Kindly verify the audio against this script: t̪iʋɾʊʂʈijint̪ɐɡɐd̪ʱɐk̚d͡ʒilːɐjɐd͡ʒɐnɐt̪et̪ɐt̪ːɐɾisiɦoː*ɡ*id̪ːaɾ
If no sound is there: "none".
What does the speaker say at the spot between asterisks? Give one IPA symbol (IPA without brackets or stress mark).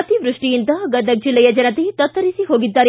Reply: ɡ